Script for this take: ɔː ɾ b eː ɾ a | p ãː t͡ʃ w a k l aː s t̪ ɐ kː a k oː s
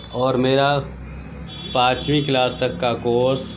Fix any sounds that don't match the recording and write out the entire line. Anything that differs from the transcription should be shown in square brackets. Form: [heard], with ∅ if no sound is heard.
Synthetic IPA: ɔː ɾ [m] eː ɾ a | p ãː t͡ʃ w [i] k l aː s t̪ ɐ kː a k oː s